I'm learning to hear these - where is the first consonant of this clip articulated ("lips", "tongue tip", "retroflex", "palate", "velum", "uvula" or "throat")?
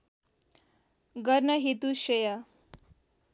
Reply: velum